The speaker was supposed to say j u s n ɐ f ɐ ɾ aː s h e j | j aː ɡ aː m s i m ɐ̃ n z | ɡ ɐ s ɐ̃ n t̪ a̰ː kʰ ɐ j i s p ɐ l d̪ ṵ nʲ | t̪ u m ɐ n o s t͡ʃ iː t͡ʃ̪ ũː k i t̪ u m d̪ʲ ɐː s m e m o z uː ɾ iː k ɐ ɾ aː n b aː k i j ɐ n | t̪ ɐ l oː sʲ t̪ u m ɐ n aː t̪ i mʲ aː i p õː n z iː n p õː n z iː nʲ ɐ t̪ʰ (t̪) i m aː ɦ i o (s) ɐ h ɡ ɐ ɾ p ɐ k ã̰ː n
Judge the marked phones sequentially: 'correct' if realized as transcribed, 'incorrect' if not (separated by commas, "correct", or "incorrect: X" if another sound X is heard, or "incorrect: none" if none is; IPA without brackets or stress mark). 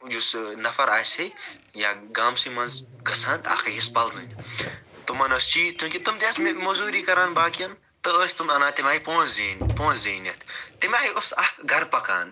correct, correct